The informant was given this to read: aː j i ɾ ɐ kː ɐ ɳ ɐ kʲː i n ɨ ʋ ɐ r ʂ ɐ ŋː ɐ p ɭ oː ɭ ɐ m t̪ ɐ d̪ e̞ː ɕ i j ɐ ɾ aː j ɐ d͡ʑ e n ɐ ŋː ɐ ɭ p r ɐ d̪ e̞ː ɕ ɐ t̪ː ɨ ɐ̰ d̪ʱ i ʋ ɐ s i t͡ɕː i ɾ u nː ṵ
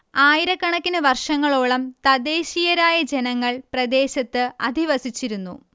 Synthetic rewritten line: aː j i ɾ ɐ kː ɐ ɳ ɐ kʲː i n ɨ ʋ ɐ r ʂ ɐ ŋː ɐ ɭ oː ɭ ɐ m t̪ ɐ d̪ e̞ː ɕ i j ɐ ɾ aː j ɐ d͡ʑ e n ɐ ŋː ɐ ɭ p r ɐ d̪ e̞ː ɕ ɐ t̪ː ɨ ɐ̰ d̪ʱ i ʋ ɐ s i t͡ɕː i ɾ u nː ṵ